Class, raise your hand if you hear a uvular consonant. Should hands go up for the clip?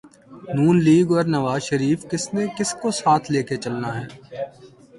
no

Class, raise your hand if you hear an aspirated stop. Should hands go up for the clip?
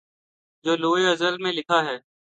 yes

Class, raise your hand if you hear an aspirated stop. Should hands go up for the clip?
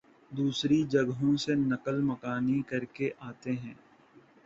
no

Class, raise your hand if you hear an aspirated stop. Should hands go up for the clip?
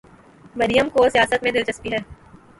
no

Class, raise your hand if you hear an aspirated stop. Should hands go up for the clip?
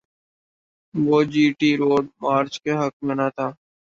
yes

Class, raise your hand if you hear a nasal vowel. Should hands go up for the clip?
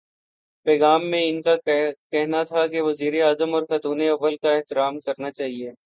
yes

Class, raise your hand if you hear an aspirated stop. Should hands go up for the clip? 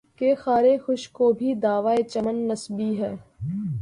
no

